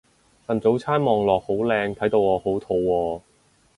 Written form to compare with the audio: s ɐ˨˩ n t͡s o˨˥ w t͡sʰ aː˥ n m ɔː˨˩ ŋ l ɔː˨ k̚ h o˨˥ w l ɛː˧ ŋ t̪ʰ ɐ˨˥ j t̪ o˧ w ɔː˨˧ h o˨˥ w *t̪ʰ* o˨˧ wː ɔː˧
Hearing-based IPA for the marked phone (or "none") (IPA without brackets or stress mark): t̪ʰ